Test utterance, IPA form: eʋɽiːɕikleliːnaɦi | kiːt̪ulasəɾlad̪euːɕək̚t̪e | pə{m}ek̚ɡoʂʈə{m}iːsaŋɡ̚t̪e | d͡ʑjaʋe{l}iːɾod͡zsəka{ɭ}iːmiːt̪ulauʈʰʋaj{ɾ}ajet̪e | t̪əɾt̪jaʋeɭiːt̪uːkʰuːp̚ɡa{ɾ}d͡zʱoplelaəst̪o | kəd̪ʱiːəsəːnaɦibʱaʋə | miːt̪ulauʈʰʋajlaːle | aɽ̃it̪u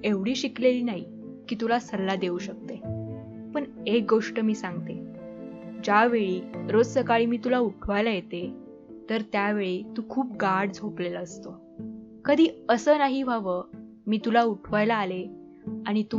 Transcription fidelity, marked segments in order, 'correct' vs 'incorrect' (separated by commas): incorrect, correct, incorrect, correct, incorrect, incorrect